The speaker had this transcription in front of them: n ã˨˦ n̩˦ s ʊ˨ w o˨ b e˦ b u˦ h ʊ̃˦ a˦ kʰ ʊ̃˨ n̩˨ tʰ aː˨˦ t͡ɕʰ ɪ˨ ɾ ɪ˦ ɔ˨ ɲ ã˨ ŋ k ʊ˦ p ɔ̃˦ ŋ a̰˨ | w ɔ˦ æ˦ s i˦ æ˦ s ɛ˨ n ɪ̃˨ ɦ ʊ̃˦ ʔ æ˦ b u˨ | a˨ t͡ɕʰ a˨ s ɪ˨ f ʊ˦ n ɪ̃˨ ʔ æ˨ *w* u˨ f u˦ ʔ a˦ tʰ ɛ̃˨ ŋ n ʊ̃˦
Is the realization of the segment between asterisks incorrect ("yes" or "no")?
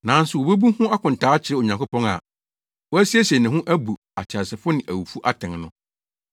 no